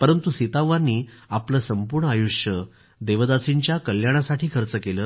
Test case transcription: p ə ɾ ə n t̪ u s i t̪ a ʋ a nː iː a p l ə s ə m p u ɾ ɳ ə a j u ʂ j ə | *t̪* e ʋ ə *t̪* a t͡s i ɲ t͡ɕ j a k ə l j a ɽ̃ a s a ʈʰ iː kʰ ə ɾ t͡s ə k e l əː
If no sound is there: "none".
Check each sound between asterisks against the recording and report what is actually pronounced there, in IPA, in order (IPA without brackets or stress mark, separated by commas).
d̪, d̪